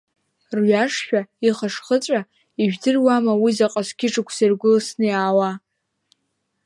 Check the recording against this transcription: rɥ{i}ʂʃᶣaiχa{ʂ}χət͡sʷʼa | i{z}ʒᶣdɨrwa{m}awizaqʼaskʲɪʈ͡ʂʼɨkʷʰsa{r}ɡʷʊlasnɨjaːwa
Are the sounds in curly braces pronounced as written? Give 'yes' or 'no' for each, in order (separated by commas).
no, yes, no, yes, yes